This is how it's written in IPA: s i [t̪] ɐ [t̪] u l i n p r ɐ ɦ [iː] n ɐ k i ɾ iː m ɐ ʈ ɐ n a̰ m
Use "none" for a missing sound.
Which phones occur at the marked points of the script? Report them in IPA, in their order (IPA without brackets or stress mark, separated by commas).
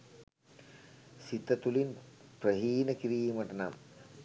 t̪, t̪, iː